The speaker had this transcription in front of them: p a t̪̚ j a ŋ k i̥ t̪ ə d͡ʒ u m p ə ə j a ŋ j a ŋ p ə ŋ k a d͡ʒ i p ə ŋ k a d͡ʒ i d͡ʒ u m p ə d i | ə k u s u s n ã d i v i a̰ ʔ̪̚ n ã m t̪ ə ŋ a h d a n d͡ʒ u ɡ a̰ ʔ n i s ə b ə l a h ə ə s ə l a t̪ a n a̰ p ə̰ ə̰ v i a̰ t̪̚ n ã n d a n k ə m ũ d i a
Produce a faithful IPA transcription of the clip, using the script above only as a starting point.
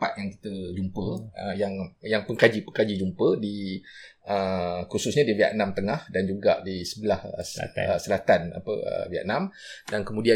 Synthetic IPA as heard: p a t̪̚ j a ŋ k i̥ t̪ ə d͡ʒ u m p ə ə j a ŋ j a ŋ p ə ŋ k a d͡ʒ i p ə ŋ k a d͡ʒ i d͡ʒ u m p ə d i | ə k u s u s ɲ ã d i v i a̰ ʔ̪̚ n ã m t̪ ə ŋ a h d a n d͡ʒ u ɡ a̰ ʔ d i s ə b ə l a h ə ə s ə l a t̪ a n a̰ p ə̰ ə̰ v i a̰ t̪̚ n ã m d a n k ə m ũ d i a